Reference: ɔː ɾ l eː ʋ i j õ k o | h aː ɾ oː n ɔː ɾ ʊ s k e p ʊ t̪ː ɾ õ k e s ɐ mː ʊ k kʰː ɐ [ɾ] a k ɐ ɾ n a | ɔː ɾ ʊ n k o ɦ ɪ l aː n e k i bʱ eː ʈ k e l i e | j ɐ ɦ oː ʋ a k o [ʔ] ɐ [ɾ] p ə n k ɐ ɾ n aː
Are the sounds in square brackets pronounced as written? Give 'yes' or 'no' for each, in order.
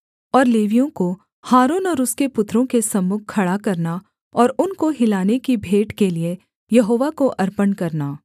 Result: no, yes, yes

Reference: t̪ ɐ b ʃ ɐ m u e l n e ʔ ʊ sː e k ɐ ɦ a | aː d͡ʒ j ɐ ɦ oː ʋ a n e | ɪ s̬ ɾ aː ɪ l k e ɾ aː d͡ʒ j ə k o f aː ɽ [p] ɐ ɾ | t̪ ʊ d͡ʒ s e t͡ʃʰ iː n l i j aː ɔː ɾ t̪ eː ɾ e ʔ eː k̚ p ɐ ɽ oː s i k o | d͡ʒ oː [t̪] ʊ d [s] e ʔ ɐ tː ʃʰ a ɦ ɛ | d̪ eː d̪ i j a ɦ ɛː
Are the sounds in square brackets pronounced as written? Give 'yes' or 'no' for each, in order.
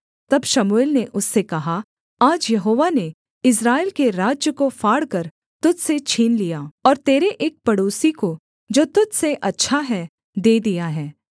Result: no, yes, yes

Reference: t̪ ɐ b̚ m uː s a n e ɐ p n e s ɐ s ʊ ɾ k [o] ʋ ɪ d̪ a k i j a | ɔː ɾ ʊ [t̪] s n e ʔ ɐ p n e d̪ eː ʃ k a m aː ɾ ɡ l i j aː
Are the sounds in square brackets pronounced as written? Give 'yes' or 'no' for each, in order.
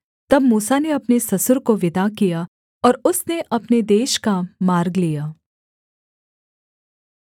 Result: yes, no

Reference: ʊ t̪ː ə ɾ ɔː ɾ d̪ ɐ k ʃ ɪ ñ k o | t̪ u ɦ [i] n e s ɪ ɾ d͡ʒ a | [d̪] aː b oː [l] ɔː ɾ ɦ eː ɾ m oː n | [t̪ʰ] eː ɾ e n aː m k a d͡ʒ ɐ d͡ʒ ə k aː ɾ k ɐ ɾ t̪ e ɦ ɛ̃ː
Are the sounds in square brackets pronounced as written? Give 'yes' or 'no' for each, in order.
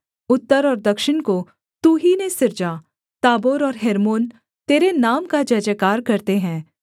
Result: yes, no, no, no

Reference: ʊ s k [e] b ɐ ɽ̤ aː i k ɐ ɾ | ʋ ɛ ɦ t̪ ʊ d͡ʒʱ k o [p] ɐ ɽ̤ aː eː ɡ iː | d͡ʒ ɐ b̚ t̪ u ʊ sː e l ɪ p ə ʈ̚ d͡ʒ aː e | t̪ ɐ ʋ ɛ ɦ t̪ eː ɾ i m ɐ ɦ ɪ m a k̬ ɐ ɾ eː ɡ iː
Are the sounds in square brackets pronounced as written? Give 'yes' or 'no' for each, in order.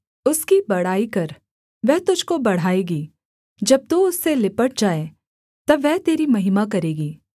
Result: no, no

